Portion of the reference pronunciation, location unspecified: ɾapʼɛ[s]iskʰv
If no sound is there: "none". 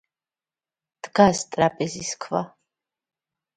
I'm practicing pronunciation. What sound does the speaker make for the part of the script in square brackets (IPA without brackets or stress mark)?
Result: z